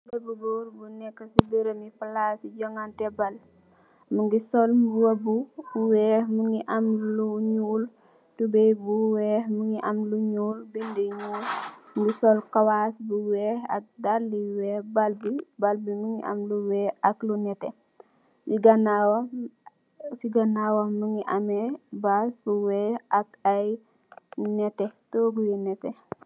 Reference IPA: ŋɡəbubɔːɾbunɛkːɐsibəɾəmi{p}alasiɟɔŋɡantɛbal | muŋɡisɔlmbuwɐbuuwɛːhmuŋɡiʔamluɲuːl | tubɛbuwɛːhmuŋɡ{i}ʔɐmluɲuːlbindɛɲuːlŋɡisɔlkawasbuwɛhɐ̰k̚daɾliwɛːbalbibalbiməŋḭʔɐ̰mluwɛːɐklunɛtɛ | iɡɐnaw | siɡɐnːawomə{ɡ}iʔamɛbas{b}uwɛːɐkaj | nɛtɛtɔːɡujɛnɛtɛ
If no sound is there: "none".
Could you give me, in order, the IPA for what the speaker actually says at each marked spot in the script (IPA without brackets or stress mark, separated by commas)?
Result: p, i, ŋ, b